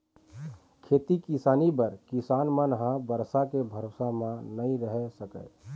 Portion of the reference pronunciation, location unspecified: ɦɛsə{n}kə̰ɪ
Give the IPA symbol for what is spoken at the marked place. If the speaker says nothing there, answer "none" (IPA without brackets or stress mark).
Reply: none